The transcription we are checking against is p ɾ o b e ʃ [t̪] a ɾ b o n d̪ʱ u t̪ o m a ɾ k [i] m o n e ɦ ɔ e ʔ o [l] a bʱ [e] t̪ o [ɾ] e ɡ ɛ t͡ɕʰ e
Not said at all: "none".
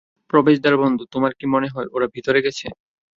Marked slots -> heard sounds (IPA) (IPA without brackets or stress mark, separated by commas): d̪, i, ɾ, i, ɾ